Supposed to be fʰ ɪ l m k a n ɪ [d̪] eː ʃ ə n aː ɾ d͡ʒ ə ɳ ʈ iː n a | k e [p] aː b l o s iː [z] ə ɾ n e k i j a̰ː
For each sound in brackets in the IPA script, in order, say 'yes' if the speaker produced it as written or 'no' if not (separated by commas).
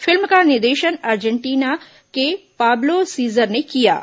yes, yes, yes